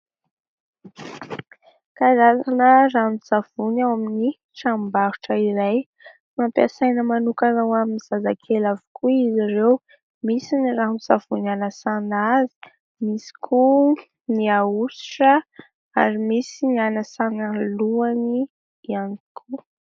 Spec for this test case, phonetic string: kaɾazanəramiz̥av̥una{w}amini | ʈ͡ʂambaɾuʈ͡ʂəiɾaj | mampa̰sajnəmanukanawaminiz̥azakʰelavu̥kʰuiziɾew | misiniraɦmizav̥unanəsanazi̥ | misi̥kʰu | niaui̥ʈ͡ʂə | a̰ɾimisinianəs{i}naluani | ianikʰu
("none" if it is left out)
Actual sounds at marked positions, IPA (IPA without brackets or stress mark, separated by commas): w, a